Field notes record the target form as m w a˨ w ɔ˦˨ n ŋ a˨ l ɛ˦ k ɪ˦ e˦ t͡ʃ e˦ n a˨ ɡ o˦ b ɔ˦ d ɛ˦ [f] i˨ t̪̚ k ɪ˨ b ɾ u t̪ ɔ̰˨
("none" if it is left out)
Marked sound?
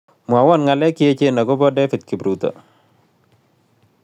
f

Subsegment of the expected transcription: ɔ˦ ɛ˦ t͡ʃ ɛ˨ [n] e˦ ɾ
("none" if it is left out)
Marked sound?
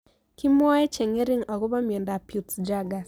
ŋ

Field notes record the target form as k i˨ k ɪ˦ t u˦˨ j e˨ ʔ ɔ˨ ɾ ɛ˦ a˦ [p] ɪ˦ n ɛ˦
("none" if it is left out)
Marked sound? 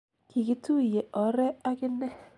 k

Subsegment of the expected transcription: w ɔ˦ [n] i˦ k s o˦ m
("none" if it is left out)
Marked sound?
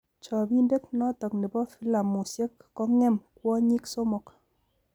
ɲ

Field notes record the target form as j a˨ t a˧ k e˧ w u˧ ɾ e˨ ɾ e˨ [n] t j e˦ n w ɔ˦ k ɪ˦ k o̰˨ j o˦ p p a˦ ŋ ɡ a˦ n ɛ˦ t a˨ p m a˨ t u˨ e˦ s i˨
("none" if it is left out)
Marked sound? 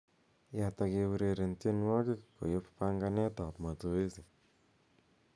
n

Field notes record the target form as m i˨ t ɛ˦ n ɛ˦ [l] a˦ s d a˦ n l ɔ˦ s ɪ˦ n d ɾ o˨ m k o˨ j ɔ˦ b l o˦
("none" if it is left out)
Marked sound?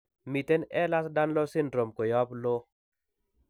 l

